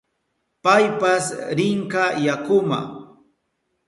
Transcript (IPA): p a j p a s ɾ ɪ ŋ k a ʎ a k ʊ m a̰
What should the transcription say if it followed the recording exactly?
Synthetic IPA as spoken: p a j p a s ɾ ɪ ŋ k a j a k ʊ m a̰